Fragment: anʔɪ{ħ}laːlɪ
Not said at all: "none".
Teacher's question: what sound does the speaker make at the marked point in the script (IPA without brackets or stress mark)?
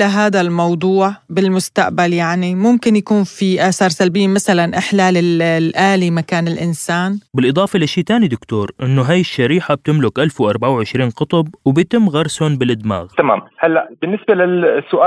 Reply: ħ